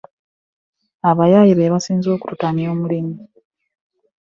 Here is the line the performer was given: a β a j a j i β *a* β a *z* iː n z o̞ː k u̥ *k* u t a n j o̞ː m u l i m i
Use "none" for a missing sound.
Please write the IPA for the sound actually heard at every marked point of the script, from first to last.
e, s, t

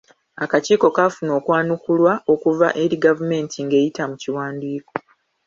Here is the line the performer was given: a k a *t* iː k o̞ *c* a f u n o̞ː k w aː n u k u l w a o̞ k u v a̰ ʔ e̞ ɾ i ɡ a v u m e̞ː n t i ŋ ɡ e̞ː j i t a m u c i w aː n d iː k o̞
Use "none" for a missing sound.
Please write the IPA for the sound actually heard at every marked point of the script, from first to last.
c, k

